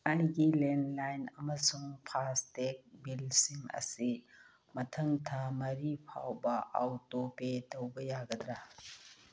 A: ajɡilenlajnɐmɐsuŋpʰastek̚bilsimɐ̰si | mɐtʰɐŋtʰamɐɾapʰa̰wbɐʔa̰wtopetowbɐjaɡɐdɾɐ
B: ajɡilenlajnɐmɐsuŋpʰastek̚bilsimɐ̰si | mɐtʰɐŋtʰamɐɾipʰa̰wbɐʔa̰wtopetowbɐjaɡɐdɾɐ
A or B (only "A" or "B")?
B